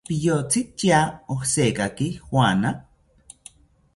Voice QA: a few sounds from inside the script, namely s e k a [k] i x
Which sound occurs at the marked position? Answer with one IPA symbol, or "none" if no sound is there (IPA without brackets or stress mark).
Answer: k